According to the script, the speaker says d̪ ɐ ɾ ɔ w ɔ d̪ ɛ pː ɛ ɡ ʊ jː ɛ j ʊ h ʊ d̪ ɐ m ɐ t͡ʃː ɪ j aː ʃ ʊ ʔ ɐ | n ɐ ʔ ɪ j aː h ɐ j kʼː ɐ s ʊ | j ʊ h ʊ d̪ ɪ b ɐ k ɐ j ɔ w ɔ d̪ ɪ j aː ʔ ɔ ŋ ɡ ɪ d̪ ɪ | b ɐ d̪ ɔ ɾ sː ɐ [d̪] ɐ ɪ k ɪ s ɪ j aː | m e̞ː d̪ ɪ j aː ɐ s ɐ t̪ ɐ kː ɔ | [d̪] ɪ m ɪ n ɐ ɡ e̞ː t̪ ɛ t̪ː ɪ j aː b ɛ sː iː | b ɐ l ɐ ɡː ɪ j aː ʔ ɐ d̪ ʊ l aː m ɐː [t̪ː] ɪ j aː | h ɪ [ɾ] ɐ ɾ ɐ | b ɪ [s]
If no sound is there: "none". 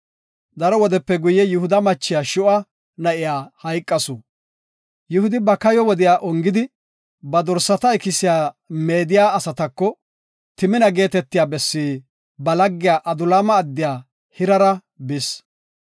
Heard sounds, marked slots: t̪, t̪, d̪ː, ɾ, s

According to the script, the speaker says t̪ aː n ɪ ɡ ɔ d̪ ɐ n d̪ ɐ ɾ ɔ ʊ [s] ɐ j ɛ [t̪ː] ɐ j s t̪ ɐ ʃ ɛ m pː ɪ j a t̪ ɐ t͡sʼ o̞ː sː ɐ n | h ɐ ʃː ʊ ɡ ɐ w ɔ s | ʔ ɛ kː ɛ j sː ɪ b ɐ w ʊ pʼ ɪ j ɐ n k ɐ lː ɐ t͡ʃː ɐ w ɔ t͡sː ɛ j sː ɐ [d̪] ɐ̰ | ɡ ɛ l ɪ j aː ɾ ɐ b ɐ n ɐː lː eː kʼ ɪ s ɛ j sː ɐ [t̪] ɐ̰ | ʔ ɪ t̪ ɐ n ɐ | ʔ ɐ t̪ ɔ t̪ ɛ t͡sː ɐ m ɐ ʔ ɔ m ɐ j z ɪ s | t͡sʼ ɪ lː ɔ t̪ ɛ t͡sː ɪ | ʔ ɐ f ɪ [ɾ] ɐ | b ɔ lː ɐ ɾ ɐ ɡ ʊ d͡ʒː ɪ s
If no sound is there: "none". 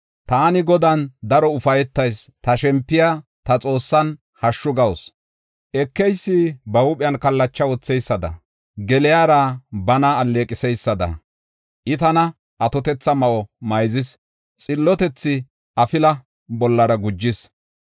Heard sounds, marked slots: f, t̪ː, d̪, d̪, l

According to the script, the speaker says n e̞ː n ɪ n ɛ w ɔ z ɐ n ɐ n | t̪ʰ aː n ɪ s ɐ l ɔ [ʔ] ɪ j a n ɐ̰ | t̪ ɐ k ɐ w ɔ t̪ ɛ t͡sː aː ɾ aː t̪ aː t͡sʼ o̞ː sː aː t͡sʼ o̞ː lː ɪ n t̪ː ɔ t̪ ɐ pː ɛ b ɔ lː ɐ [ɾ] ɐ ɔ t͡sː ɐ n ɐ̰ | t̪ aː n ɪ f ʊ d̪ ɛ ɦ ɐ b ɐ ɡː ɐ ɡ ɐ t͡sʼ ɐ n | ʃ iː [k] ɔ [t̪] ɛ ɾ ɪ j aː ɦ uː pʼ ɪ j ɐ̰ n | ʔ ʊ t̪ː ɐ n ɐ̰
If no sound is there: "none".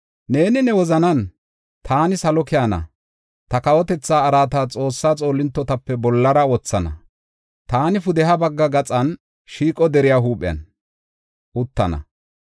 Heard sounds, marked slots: k, ɾ, kʼ, d̪

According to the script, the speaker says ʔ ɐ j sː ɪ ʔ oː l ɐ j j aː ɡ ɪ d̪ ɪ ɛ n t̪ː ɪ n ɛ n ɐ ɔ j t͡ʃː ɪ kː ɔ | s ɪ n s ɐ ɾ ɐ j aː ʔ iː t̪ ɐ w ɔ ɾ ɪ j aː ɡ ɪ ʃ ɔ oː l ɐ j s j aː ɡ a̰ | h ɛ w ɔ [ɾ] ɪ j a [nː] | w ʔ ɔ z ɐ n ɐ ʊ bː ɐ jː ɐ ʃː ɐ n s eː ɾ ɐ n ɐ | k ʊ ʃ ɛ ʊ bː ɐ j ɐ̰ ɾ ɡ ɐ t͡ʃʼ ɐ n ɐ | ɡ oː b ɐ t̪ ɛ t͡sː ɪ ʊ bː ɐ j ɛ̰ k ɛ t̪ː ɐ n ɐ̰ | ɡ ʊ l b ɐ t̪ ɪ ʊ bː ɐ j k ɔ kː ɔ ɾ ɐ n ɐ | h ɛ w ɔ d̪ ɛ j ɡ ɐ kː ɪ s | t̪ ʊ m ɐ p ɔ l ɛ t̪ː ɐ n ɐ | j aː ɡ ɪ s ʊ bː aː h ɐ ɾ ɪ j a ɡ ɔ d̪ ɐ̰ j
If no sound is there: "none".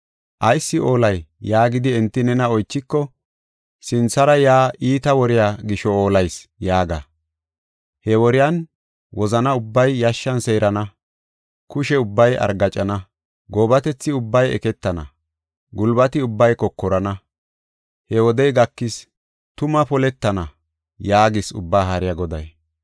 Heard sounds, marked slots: ɾ, n

